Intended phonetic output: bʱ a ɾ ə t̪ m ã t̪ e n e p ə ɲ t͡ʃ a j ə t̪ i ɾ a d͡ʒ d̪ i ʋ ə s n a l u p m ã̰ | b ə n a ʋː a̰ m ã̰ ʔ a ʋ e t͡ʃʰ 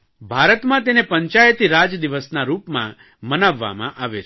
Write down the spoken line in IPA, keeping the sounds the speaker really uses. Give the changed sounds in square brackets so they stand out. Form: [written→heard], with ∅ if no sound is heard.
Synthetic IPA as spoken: bʱ a ɾ ə t̪ m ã t̪ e n e p ə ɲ t͡ʃ a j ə t̪ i ɾ a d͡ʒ d̪ i ʋ ə s n a [l→ɾ] u p m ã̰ | [b→m] ə n a ʋː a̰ m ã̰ ʔ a ʋ e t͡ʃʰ